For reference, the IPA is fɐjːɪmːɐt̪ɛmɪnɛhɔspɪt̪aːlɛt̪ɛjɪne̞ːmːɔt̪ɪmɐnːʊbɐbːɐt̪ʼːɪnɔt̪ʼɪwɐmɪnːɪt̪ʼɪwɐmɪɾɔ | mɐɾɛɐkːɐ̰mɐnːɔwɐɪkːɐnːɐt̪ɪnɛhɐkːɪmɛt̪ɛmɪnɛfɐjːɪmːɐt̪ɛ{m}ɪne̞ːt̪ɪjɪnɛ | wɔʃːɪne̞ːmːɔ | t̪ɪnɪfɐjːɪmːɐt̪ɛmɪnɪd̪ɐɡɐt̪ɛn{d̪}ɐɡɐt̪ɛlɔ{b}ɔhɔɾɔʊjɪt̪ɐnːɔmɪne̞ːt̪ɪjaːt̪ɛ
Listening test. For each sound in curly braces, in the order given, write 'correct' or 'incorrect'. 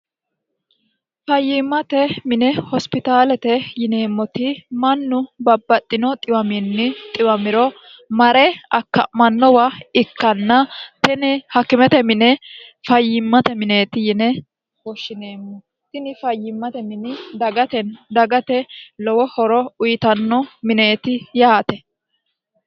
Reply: correct, correct, incorrect

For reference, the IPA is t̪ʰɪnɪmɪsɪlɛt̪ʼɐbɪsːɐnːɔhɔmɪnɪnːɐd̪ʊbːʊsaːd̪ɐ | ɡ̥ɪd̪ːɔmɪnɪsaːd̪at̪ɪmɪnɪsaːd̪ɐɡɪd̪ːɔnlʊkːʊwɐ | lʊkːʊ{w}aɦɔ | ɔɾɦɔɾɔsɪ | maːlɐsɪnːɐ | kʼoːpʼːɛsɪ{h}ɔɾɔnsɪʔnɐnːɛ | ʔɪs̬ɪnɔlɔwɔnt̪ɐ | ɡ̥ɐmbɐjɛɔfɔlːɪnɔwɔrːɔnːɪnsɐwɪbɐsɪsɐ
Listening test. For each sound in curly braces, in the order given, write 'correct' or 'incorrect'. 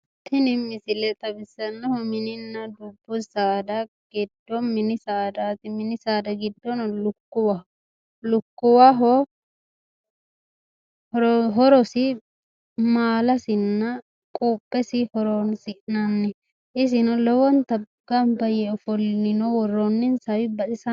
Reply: correct, correct

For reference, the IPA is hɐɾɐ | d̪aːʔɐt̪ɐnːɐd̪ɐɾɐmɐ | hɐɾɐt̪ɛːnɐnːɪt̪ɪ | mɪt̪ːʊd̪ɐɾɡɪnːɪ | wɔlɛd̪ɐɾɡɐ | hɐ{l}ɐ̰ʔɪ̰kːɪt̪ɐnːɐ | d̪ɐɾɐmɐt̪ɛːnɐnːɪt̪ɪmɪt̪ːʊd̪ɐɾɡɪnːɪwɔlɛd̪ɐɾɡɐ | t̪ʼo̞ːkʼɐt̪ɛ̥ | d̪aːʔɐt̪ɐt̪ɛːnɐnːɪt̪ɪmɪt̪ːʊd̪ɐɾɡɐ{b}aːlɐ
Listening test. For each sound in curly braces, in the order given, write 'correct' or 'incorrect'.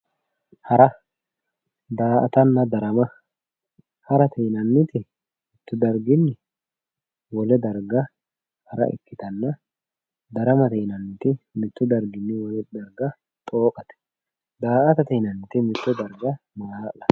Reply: incorrect, incorrect

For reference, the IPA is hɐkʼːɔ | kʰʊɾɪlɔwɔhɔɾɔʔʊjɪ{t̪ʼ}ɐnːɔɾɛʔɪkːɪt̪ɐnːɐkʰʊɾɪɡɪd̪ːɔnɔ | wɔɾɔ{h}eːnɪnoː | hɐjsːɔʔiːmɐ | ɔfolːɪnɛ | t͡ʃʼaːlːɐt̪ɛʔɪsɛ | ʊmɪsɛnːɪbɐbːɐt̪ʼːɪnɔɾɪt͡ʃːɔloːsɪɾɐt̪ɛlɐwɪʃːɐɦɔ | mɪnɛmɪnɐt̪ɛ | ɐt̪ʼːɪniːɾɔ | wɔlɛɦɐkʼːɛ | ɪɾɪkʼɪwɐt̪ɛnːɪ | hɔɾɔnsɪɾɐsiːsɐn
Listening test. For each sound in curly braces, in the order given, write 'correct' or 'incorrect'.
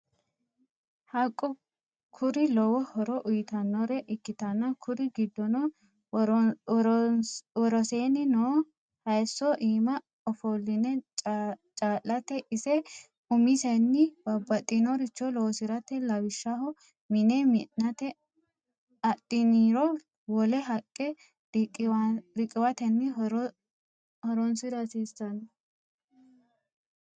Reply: incorrect, incorrect

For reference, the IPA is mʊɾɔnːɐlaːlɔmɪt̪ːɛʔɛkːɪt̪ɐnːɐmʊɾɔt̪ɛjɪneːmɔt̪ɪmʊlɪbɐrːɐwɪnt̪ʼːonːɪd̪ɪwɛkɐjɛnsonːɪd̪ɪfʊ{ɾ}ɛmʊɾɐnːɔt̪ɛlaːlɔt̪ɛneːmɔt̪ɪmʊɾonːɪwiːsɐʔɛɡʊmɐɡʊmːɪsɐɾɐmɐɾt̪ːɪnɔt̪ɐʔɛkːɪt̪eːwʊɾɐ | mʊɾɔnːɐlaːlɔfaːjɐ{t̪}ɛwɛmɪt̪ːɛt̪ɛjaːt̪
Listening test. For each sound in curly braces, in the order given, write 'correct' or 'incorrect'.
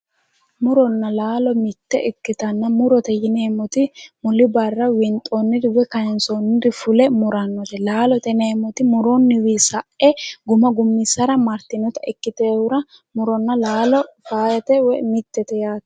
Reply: incorrect, correct

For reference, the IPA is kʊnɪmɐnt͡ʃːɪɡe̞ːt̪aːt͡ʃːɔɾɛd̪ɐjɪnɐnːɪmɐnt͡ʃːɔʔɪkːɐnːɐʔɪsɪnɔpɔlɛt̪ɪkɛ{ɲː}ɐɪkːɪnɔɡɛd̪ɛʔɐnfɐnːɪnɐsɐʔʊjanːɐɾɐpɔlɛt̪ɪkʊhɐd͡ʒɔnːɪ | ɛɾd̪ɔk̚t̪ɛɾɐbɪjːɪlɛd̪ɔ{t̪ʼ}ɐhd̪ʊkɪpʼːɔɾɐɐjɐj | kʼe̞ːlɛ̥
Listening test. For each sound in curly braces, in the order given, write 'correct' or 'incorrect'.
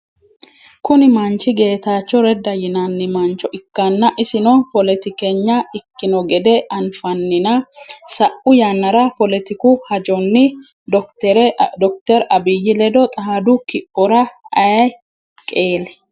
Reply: correct, correct

